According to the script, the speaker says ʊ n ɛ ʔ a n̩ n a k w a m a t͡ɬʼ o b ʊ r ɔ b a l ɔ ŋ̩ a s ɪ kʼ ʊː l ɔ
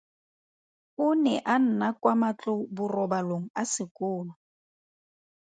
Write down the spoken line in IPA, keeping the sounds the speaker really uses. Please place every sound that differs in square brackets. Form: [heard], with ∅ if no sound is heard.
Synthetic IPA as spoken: ʊ n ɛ ʔ a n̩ n a k w a m a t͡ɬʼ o b ʊ r ɔ b a l [o] ŋ̩ a s ɪ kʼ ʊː l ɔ

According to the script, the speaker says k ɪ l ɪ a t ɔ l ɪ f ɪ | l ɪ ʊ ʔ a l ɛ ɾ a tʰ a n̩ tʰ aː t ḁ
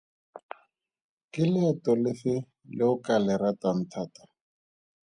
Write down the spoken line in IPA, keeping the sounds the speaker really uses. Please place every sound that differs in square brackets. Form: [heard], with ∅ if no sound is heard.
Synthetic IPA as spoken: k ɪ l ɪ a t ɔ l ɪ f ɪ | l ɪ ʊ [k] a l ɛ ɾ a [t] a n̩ tʰ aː t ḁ

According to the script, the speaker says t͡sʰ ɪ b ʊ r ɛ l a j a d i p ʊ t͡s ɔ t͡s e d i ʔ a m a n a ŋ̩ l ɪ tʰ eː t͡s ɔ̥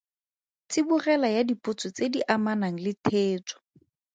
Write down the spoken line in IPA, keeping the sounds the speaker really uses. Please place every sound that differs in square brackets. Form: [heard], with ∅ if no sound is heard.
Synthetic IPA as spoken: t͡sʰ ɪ b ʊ r ɛ l a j a d i p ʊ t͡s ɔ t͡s e d i ʔ a m a n a ŋ̩ l ɪ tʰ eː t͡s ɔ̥

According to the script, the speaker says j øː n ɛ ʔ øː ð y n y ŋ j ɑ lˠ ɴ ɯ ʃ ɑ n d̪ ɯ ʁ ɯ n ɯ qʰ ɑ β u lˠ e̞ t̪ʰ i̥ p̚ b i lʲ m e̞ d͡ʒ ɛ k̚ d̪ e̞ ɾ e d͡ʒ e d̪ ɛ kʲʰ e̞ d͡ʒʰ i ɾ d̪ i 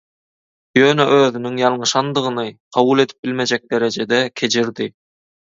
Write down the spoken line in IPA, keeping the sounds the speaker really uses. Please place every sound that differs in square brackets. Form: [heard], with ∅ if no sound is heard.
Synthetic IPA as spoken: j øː n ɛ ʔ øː ð y n y ŋ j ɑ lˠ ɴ ɯ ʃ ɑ n d̪ ɯ ʁ ɯ n ɯ qʰ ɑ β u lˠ e̞ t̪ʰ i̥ p̚ b i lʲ m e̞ d͡ʒ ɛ k̚ d̪ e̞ ɾ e d͡ʒ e d̪ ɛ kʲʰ e̞ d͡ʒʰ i ɾ d̪ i

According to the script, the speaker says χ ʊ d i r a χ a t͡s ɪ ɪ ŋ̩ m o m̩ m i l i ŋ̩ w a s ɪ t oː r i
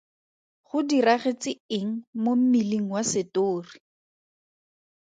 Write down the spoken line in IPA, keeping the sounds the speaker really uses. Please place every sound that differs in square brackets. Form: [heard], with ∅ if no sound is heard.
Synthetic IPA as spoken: χ ʊ d i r a χ [e] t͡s ɪ ɪ ŋ̩ m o m̩ m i l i ŋ̩ w a s ɪ t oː r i

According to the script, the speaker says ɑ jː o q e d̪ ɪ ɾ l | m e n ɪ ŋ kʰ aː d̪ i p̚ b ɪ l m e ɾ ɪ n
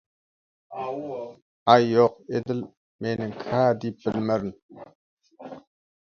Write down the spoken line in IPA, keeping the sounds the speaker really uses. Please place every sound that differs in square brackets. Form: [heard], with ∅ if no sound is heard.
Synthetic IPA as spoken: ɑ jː o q e d̪ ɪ [∅] l | m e n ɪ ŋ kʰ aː d̪ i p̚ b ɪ l m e ɾ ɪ n

